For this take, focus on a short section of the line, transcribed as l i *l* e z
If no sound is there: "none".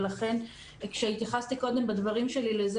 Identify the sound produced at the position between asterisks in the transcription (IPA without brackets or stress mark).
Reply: l